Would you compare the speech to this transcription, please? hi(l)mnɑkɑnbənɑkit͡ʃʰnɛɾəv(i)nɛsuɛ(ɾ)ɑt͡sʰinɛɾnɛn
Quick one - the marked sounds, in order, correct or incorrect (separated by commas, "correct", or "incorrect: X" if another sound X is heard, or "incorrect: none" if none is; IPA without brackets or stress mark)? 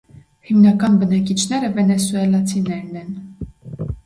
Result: incorrect: none, incorrect: ɛ, incorrect: l